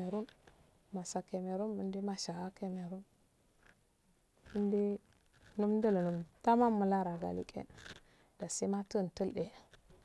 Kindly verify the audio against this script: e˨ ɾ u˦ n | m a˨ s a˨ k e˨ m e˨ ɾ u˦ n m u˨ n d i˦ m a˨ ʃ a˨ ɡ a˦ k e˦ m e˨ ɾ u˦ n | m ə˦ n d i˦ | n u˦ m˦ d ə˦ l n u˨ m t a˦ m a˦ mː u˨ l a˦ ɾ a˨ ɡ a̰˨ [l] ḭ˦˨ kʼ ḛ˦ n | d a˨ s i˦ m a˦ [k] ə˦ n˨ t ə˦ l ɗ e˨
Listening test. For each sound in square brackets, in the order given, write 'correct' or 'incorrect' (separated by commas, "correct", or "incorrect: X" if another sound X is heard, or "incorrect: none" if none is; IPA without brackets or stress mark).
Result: correct, incorrect: t